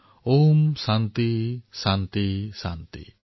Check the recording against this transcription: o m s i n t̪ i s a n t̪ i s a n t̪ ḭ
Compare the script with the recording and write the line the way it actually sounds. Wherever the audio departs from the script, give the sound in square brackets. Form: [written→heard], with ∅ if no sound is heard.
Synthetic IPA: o m s [i→a] n t̪ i s a n t̪ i s a n t̪ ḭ